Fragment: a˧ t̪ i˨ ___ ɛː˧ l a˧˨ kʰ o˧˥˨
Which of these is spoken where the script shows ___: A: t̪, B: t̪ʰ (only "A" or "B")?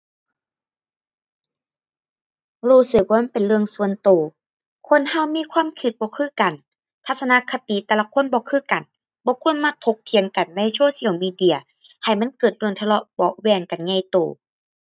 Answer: A